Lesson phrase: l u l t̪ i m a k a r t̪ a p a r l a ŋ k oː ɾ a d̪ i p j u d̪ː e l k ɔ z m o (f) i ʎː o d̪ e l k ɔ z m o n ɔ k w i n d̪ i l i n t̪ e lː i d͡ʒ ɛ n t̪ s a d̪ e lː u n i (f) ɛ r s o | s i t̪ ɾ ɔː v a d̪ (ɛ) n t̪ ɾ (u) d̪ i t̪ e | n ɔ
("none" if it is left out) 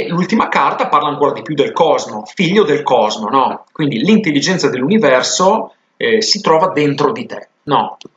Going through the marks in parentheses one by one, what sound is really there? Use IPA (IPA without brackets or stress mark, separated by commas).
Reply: f, v, e, o